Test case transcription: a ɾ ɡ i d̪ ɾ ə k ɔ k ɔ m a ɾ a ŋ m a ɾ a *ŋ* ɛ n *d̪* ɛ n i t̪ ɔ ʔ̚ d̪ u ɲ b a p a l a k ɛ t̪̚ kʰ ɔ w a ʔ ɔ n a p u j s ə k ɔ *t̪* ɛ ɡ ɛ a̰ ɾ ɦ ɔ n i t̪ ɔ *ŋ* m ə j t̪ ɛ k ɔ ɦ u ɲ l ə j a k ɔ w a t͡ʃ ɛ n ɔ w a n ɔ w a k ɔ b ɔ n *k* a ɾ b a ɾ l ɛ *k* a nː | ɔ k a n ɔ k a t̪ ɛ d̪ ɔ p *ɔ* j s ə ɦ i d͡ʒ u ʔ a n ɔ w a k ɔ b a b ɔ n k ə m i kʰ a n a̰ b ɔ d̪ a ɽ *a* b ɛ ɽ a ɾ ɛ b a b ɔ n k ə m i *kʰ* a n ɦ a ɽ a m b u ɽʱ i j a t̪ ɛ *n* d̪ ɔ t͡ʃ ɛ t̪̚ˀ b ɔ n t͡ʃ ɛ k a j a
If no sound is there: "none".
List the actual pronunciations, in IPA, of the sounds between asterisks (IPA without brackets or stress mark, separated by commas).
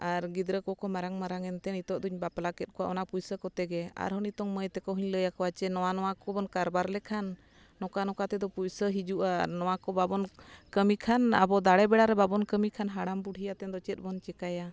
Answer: ŋ, t̪, t̪, ŋ, k, kʰ, u, ɛ, kʰ, n